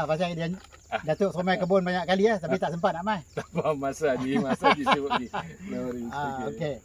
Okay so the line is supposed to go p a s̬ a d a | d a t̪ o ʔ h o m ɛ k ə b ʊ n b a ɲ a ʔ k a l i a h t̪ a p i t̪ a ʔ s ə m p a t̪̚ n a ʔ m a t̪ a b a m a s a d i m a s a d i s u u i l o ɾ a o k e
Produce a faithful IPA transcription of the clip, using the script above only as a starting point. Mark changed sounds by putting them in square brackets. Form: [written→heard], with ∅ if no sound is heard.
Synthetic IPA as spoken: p a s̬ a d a | d a t̪ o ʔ [h→s] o m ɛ k ə b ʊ n b a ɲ a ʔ k a l i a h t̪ a p i t̪ a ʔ s ə m p a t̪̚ n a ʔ m a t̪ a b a m a s a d i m a s a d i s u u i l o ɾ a o k e